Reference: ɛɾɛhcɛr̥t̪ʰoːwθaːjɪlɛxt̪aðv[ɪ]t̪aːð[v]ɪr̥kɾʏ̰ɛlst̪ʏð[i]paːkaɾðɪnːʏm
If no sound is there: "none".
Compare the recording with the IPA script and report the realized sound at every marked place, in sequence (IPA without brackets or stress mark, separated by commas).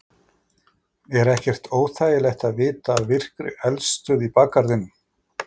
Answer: ɪː, v, i